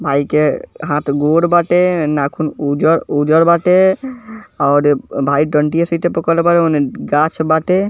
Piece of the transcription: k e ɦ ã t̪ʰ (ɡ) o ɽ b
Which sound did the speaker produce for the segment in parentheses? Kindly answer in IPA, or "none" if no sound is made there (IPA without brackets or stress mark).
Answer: ɡ